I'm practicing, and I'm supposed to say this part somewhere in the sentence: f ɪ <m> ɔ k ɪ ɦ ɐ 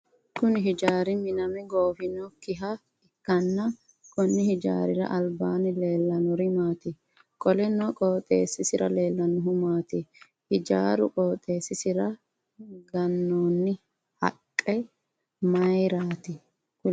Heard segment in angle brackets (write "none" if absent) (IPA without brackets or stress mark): n